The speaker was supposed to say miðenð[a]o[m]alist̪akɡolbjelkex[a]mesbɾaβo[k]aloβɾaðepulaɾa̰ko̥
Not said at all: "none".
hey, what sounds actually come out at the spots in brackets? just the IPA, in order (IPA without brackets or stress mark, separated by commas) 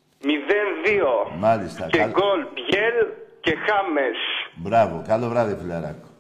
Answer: i, m, a, k